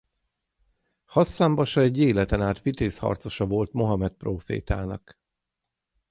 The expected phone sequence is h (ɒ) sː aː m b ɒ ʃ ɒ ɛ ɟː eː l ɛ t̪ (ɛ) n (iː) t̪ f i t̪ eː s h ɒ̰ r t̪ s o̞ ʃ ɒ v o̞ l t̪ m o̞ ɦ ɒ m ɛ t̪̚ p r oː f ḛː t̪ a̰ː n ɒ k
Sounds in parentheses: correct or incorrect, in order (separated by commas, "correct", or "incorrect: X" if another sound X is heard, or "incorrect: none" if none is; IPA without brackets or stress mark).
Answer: correct, correct, incorrect: aː